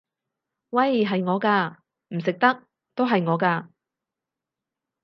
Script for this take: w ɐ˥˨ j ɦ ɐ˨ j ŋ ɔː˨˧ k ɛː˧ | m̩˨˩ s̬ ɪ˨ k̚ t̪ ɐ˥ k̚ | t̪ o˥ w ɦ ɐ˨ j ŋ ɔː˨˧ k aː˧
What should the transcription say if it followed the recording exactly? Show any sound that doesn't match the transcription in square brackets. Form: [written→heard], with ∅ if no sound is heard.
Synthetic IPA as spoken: w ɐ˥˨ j ɦ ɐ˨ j ŋ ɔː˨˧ k [ɛː˧→aː˧] | m̩˨˩ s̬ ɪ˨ k̚ t̪ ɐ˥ k̚ | t̪ o˥ w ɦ ɐ˨ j ŋ ɔː˨˧ k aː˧